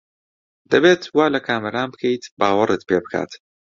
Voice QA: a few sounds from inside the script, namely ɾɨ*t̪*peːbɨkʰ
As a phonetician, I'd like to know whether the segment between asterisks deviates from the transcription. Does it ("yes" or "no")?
no